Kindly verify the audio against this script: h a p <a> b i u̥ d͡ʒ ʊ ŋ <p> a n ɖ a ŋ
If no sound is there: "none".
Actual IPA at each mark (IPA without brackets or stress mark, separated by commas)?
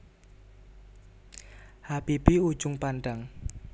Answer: i, p